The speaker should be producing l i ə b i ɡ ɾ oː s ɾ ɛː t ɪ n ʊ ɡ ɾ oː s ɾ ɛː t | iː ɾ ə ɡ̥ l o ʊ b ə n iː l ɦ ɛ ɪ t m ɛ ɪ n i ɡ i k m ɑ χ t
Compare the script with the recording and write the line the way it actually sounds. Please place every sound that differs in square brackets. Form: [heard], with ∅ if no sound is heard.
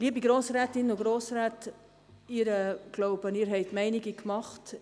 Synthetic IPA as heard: l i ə b i ɡ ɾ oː s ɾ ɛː t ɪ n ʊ ɡ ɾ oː s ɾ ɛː t | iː ɾ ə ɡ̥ l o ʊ b ə n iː [ɾ] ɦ ɛ ɪ t m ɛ ɪ n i ɡ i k m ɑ χ t